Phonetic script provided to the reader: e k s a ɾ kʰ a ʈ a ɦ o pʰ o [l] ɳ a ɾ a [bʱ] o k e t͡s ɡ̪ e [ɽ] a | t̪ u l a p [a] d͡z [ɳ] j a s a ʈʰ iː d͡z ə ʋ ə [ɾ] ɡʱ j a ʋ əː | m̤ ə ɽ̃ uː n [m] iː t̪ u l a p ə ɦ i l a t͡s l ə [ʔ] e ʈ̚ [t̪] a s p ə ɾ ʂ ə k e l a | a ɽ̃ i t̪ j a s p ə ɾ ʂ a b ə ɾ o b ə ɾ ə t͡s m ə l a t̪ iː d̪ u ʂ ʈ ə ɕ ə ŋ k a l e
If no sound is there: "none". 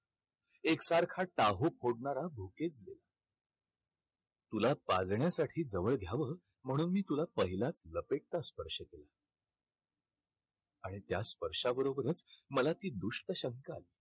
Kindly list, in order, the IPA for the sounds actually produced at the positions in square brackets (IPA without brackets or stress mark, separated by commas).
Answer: ɽ, bʱ, l, a, ɳ, ɭ, m, p, t̪